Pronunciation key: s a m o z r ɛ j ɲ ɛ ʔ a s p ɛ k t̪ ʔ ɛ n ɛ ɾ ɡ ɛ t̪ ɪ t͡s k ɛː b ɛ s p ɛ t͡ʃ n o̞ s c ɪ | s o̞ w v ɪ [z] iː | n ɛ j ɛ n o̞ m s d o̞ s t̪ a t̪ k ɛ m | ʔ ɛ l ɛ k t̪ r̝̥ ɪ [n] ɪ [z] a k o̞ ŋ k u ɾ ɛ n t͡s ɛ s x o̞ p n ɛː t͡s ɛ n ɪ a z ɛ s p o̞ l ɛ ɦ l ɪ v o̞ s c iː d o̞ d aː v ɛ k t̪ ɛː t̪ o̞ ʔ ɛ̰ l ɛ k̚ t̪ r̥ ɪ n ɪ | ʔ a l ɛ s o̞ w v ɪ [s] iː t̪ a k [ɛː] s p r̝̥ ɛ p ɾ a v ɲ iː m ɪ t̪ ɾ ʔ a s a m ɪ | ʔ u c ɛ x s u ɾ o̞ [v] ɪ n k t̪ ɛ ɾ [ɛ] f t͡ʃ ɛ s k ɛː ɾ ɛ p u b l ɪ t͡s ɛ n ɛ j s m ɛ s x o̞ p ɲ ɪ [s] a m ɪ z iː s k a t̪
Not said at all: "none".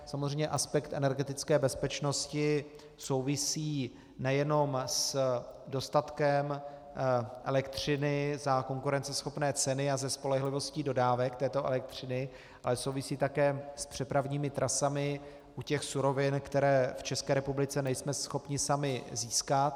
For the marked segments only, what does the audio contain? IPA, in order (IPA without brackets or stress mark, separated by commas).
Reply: s, n, z, s, ɛː, v, ɛː, s